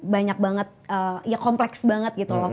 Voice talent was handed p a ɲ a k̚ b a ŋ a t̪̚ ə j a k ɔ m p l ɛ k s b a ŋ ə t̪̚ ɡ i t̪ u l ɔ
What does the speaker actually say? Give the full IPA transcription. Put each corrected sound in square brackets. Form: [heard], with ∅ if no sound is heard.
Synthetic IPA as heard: [b] a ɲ a k̚ b a ŋ [ə] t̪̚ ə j a k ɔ m p l ɛ k s b a ŋ ə t̪̚ ɡ i t̪ u l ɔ

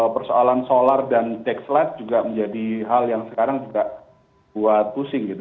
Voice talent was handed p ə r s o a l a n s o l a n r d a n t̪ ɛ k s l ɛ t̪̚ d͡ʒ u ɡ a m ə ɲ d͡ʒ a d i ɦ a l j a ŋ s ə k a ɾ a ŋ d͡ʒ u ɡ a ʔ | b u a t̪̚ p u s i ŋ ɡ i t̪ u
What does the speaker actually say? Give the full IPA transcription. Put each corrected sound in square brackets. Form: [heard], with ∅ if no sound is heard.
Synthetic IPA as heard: p ə r s o a l a n s o l a [∅] r d a n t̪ ɛ k s l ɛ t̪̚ d͡ʒ u ɡ a m ə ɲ d͡ʒ a d i ɦ a l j a ŋ s ə k a ɾ a ŋ d͡ʒ u ɡ a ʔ | b u a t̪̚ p u s [ɪ] ŋ ɡ i t̪ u

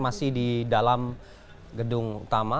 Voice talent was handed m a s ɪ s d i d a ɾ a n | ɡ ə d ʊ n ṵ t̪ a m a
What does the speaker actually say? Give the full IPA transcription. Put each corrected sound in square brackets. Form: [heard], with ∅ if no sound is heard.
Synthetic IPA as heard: m a s ɪ [h] d i d a [l] a [m] | ɡ ə d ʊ [ŋ] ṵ t̪ a m a

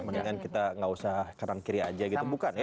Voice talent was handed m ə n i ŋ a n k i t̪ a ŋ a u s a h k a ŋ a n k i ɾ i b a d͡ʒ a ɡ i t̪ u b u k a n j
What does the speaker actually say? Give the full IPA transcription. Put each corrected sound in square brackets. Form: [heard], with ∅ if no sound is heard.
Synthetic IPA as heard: m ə n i ŋ a n k i t̪ a ŋ a u s a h k a [n] a n k i ɾ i [∅] a d͡ʒ a ɡ i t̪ u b u k a n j

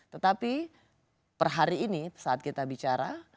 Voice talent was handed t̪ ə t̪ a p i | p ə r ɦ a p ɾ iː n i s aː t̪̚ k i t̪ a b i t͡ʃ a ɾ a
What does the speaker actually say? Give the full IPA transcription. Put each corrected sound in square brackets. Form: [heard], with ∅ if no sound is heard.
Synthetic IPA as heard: t̪ ə t̪ a p i | p ə r ɦ a [∅] ɾ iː n i s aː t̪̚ k i t̪ a b i t͡ʃ a ɾ a

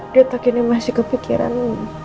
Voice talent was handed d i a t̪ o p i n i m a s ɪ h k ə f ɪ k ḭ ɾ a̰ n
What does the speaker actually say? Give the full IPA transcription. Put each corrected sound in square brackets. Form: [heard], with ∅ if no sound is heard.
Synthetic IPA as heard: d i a t̪ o [k] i n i m a s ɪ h k ə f [i] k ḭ ɾ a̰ n

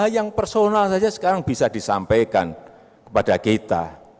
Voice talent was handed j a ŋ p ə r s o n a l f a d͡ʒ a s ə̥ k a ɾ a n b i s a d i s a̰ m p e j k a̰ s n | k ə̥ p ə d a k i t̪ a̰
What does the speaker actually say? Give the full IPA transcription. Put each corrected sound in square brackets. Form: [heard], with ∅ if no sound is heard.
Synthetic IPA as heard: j a ŋ p ə r s o n a l [s] a d͡ʒ a s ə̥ k a ɾ a [ŋ] b i s a d i s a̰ m p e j k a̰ [∅] n | k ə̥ p [a] d a k i t̪ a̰

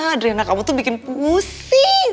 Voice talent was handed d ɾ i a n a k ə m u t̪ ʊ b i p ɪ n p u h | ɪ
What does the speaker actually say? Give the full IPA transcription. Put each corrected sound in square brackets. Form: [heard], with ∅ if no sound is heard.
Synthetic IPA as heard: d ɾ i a n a k [a] m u t̪ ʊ b i [k] ɪ n p u [s] | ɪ

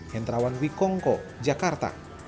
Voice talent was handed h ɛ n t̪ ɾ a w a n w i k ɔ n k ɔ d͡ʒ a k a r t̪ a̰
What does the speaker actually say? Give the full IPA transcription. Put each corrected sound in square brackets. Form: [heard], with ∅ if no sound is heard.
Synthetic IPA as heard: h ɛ n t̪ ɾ a w a n w i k ɔ [ŋ] k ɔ d͡ʒ a k a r t̪ a̰

